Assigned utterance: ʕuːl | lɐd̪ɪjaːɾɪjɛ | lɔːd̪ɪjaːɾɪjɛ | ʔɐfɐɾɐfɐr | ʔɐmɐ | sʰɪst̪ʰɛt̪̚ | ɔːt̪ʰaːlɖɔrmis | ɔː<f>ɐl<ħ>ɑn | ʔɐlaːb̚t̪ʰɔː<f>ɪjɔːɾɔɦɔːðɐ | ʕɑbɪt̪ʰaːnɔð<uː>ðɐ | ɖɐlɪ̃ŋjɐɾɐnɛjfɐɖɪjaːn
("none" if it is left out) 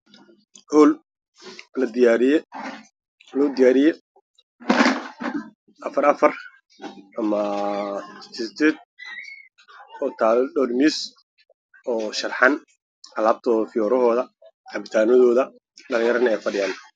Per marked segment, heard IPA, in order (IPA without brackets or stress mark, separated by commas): ʃ, ħ, f, ɔː